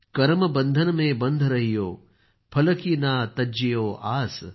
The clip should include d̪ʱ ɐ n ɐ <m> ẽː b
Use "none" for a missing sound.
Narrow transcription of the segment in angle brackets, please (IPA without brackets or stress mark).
m